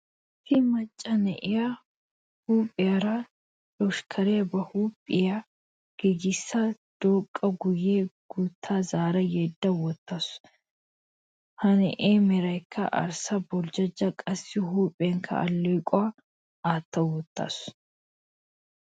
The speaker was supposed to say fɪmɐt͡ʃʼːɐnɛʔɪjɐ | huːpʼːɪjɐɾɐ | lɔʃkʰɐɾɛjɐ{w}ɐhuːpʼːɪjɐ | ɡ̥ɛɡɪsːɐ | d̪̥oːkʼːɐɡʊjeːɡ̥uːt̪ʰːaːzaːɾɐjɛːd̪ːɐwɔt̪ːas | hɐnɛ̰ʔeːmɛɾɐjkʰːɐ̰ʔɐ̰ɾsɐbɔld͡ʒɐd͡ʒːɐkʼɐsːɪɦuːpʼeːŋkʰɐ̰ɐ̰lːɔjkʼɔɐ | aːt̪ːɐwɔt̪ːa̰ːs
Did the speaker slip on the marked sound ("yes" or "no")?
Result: yes